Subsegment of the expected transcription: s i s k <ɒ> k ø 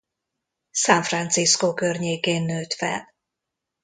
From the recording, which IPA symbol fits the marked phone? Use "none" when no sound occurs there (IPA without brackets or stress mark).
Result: o